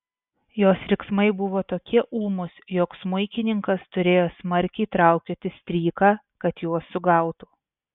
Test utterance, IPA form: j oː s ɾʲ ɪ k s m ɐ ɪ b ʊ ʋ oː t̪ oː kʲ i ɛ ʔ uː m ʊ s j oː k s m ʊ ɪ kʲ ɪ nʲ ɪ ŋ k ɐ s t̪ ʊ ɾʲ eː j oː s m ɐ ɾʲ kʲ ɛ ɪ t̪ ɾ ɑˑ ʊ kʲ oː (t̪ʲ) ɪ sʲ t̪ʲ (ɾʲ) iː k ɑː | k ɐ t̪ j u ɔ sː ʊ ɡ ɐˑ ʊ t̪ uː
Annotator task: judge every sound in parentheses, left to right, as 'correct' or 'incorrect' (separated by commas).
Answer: correct, correct